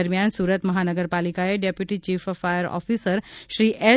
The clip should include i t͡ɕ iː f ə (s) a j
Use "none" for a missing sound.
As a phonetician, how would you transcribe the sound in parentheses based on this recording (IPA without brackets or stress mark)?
f